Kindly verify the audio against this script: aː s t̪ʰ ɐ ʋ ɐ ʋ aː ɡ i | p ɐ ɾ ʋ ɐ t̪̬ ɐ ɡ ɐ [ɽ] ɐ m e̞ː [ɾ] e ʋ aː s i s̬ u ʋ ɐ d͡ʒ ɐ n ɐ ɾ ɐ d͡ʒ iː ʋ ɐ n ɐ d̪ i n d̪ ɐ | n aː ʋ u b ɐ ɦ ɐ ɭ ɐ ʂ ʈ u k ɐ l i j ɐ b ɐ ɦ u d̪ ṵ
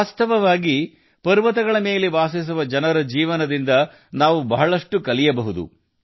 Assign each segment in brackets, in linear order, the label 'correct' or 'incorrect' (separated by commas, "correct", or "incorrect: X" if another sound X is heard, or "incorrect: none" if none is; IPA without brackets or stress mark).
incorrect: ɭ, incorrect: l